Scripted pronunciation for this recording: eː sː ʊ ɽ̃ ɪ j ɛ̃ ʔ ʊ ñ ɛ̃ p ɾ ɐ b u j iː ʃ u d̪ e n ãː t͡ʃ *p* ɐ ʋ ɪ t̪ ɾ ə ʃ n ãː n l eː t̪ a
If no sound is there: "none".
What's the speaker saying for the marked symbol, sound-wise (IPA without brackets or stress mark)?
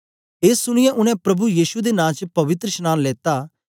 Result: p